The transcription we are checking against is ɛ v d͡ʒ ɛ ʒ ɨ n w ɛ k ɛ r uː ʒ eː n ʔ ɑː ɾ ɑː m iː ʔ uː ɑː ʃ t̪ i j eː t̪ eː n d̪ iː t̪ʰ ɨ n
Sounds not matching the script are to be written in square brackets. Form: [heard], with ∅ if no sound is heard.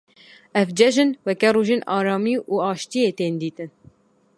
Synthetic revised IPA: ɛ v d͡ʒ ɛ ʒ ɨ n w ɛ k ɛ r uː ʒ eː n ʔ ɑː ɾ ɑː m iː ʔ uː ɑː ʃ t̪ i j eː t̪ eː n d̪ iː [t̪] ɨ n